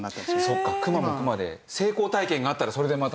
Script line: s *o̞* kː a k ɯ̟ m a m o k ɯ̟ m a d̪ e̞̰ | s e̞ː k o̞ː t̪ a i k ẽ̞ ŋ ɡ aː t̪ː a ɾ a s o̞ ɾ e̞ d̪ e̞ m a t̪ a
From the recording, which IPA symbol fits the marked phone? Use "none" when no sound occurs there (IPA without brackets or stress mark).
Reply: o̞